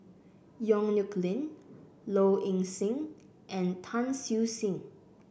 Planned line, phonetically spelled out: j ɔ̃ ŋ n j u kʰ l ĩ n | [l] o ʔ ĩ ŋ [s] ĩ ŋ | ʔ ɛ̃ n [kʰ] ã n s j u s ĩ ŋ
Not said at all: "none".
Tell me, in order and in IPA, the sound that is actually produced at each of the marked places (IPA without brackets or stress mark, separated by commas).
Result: l, s, tʰ